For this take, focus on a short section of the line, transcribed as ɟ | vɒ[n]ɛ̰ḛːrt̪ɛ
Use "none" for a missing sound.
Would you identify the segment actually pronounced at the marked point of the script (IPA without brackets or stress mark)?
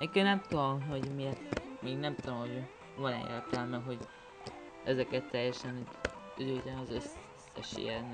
n